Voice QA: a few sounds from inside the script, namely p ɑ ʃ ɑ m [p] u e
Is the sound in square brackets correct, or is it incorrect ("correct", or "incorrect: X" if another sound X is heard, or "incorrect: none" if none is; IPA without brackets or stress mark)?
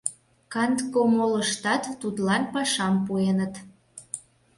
correct